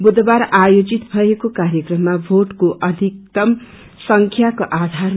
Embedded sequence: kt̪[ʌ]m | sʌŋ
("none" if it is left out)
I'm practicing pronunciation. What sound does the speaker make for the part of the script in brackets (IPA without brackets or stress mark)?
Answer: ʌ